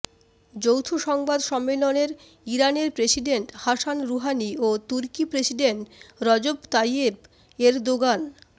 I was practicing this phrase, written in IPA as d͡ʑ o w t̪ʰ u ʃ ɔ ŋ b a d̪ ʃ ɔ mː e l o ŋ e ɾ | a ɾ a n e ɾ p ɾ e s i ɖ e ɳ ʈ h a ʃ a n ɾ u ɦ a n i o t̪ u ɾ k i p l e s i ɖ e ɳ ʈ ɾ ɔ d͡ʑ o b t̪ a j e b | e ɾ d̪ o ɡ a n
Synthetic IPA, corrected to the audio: d͡ʑ o w t̪ʰ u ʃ ɔ ŋ b a d̪ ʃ ɔ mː e l o n e ɾ | i ɾ a n e ɾ p ɾ e s i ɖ e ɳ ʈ h a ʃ a n ɾ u ɦ a n i o t̪ u ɾ k i p ɾ e s i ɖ e ɳ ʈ ɾ ɔ d͡ʑ o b t̪ a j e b | e ɾ d̪ o ɡ a n

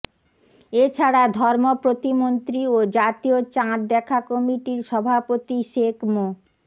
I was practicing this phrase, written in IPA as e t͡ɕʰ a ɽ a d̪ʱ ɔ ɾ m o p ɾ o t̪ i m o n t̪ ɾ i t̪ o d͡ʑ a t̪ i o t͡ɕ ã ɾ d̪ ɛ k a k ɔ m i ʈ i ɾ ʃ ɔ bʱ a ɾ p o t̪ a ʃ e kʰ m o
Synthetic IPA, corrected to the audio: e t͡ɕʰ a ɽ a d̪ʱ ɔ ɾ m o p ɾ o t̪ i m o n t̪ ɾ i o d͡ʑ a t̪ i o t͡ɕ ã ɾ d̪ ɛ kʰ a k ɔ m i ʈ i ɾ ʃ ɔ bʱ a p o t̪ i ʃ e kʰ m o

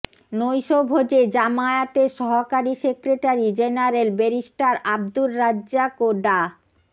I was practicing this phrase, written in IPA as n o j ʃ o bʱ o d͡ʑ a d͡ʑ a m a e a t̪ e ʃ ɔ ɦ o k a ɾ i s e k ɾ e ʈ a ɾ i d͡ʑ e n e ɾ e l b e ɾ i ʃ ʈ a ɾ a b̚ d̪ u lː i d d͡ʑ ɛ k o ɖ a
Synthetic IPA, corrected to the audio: n o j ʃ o bʱ o d͡ʑ e d͡ʑ a m a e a t̪ e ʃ ɔ ɦ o k a ɾ i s e k ɾ e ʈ a ɾ i d͡ʑ e n a ɾ e l b e ɾ i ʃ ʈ a ɾ a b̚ d̪ u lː a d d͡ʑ a k o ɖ a

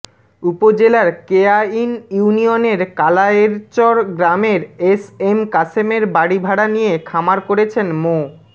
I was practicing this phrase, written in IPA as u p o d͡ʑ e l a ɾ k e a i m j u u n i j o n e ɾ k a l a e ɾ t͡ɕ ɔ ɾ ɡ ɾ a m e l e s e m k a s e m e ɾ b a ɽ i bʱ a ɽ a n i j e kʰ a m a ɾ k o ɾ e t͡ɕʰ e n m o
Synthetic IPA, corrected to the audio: u p o d͡ʑ e l a ɾ k e a i n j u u n i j o n e ɾ k a l a e ɾ t͡ɕ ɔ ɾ ɡ ɾ a m e ɾ e s e m k a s e m e ɾ b a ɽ i bʱ a ɽ a n i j e kʰ a m a ɾ k o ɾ e t͡ɕʰ e n m o

